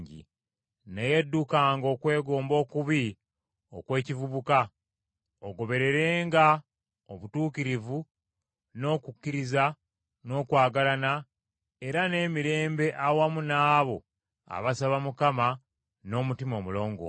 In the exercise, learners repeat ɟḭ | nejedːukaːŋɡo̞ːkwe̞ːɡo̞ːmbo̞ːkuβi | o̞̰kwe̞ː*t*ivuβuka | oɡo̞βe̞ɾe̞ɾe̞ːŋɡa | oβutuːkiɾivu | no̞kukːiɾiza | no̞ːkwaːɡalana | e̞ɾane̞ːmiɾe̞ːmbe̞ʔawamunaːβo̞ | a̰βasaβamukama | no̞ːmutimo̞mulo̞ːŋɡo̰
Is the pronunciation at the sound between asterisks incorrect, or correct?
incorrect